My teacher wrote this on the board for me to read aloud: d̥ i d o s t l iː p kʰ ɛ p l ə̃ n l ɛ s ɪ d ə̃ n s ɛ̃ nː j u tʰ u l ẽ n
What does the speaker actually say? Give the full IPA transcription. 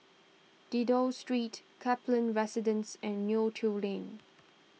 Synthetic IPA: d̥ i d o s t ɹ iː t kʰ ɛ p l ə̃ n ɹ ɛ s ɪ d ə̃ n s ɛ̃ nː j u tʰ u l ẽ n